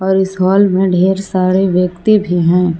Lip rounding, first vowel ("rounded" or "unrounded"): rounded